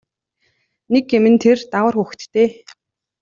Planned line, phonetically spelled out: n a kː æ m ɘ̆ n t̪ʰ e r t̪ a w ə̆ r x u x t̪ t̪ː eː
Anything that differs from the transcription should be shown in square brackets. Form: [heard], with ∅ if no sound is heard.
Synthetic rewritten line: n [e] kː [e] m ɘ̆ n t̪ʰ e r t̪ a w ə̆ r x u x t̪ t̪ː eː